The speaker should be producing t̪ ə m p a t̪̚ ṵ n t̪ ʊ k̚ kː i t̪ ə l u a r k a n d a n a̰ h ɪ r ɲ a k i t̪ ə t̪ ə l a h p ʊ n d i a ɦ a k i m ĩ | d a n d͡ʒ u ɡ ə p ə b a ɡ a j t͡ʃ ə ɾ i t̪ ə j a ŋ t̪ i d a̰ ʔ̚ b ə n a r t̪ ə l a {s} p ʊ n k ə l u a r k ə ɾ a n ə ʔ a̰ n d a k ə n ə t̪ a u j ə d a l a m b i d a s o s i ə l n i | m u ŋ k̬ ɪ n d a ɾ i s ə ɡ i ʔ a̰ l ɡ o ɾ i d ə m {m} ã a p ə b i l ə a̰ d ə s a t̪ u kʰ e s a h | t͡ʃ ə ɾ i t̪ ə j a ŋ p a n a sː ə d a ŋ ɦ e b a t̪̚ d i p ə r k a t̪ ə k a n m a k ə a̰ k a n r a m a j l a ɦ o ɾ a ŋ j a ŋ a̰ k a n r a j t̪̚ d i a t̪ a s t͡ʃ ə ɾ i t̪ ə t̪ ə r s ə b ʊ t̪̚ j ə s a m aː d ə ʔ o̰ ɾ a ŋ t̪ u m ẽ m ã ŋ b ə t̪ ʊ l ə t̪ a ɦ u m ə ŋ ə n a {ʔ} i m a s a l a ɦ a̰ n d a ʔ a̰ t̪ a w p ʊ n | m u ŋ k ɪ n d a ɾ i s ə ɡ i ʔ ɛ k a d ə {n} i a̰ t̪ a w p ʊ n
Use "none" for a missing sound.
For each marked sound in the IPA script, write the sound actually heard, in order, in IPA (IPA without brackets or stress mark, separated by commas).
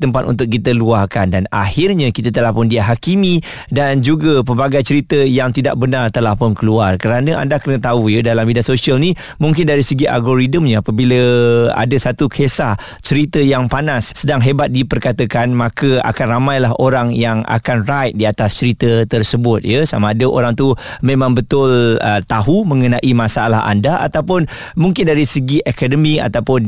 h, ɲ, ʔ, m